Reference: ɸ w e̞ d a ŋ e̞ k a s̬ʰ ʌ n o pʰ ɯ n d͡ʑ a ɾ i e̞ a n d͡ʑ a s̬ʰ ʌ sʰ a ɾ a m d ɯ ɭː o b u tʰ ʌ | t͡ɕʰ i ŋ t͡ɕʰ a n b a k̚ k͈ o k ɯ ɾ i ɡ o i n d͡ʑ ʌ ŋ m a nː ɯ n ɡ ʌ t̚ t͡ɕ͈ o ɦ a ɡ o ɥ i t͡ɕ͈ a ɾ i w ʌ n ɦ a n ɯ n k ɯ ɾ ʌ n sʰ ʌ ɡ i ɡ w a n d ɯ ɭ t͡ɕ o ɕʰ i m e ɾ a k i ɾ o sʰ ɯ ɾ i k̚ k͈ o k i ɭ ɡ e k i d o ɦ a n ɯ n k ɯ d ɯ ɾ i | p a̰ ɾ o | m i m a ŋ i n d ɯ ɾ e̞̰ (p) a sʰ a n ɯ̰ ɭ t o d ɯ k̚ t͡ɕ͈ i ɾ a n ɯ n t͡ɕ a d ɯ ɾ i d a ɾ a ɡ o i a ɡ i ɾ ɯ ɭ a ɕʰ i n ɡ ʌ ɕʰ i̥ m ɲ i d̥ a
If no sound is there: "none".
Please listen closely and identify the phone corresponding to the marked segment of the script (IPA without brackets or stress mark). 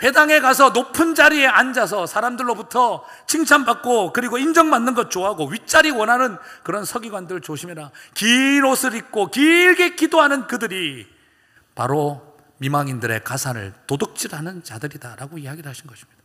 k